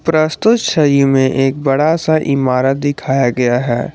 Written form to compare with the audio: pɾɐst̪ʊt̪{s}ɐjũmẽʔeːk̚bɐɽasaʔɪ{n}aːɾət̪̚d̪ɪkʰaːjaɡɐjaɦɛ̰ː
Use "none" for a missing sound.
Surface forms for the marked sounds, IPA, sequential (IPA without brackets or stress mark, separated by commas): ʃ, m